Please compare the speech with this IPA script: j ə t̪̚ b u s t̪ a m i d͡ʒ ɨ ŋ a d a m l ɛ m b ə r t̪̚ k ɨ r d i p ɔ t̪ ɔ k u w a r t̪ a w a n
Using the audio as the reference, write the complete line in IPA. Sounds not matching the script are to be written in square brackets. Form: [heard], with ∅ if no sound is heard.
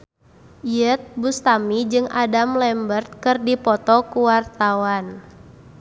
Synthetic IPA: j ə t̪̚ b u s t̪ a m i d͡ʒ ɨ ŋ a d a m l ɛ m b ə r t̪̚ k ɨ r d i p ɔ t̪ ɔ k u w a r t̪ a w a n